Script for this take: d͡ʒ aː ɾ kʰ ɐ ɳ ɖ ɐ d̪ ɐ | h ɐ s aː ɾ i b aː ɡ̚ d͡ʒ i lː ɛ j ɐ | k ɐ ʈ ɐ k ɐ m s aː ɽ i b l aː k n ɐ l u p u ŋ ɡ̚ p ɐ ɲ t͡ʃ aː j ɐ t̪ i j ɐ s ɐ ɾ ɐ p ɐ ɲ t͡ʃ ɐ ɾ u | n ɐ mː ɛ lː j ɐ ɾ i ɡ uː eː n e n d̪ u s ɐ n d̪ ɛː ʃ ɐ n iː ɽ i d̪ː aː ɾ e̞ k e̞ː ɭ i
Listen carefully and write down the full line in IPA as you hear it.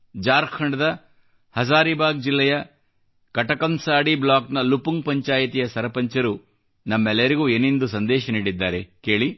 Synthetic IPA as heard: d͡ʒ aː ɾ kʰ ɐ ɳ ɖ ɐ d̪ ɐ | h ɐ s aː ɾ i b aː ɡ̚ d͡ʒ i lː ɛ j ɐ | k ɐ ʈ ɐ k ɐ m s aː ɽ i b l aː k n ɐ l u p u ŋ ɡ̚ p ɐ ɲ t͡ʃ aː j ɐ t̪ i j ɐ s ɐ ɾ ɐ p ɐ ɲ t͡ʃ ɐ ɾ u | n ɐ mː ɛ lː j ɐ ɾ i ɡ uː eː n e n d̪ u s ɐ n d̪ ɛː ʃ ɐ n iː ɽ i d̪ː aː ɾ e̞ k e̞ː ɭ i